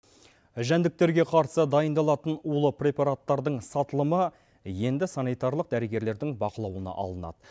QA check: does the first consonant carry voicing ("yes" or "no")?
yes